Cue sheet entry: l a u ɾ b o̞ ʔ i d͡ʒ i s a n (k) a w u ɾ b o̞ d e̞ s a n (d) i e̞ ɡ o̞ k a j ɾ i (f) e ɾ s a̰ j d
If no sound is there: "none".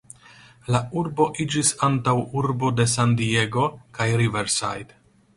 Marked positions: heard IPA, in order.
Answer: t, d, v

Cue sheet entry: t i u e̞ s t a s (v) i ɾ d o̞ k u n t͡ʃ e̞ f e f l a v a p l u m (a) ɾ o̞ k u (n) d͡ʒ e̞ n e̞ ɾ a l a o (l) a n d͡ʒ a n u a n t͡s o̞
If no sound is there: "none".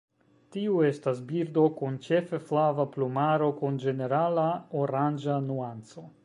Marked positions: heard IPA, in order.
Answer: b, a, n, ɾ

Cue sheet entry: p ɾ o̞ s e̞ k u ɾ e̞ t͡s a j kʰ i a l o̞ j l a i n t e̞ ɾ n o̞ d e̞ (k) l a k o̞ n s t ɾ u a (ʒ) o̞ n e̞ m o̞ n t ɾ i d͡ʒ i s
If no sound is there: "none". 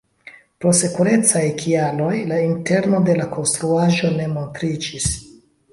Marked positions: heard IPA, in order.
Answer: none, ʒ

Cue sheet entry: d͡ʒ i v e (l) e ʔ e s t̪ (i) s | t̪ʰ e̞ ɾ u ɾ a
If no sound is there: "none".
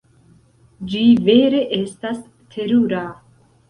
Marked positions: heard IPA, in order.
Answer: ɾ, a

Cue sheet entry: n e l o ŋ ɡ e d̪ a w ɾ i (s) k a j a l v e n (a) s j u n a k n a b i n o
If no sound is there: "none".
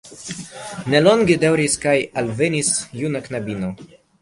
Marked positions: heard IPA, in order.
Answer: s, i

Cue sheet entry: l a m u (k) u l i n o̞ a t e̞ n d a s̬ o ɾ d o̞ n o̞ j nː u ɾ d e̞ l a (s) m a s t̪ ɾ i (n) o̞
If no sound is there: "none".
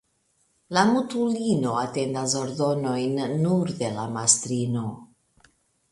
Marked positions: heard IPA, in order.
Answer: t, none, n

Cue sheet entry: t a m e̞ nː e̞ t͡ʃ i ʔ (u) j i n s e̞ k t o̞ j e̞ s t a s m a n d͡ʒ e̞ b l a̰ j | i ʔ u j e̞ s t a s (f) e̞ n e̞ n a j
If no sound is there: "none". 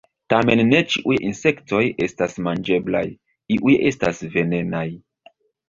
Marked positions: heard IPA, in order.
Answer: u, v

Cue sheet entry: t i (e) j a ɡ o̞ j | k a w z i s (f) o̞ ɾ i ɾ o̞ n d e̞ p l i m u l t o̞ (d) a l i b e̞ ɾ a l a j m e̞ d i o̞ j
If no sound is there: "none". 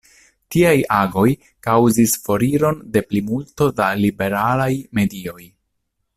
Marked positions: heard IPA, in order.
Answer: a, f, d

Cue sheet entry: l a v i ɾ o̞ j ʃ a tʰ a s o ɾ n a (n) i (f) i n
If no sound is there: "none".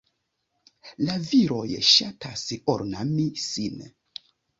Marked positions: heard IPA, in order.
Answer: m, s

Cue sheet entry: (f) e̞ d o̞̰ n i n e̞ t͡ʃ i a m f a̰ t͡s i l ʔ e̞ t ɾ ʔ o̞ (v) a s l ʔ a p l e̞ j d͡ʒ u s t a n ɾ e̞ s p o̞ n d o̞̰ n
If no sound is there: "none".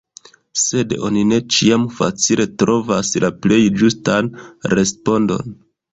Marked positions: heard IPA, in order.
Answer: s, v

